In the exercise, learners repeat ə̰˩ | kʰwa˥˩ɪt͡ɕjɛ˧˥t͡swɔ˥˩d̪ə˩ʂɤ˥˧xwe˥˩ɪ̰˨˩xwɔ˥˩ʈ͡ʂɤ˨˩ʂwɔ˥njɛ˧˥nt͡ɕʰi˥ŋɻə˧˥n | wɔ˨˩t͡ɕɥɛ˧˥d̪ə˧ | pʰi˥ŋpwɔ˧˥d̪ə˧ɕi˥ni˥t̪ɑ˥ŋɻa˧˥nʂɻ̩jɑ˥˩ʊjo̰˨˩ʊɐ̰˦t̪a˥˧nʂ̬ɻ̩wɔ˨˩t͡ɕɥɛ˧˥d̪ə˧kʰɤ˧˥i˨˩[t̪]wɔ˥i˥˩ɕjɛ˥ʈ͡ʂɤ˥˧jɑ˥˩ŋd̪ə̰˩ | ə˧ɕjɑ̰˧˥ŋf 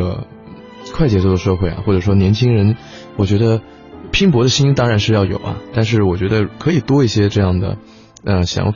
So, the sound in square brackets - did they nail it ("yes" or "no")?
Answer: yes